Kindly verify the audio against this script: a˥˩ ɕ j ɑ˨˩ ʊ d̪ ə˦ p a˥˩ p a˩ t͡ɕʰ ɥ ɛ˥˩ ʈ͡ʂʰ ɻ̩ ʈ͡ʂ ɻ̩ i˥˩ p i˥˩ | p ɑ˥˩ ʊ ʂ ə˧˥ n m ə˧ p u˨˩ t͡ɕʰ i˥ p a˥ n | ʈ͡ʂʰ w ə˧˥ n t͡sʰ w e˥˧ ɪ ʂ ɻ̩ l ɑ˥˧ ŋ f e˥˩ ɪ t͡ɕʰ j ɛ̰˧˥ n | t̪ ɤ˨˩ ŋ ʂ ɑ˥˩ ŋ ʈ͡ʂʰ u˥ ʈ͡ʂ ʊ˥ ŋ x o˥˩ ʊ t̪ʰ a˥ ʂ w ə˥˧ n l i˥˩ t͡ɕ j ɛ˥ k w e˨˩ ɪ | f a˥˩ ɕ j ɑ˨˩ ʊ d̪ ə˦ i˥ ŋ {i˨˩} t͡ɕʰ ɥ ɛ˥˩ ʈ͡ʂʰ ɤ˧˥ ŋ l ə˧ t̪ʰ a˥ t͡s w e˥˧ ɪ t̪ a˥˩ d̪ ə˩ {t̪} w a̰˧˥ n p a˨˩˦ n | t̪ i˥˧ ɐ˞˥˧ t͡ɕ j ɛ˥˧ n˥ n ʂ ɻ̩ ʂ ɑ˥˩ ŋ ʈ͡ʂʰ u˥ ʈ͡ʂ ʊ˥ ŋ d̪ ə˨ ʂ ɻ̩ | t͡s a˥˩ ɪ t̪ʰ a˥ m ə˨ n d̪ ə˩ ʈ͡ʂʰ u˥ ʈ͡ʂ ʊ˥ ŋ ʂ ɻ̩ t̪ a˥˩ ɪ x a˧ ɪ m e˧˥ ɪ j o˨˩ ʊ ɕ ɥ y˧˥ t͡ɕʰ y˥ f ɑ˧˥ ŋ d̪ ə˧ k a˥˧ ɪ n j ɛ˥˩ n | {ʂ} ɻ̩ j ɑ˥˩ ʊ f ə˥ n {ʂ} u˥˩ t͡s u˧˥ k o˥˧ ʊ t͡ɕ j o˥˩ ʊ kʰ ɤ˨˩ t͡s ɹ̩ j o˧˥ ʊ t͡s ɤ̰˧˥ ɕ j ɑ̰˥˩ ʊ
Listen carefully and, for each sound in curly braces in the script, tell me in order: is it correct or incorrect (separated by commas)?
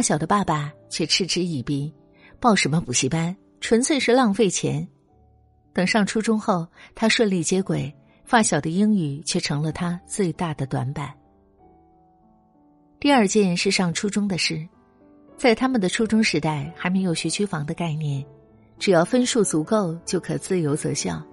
incorrect, correct, incorrect, correct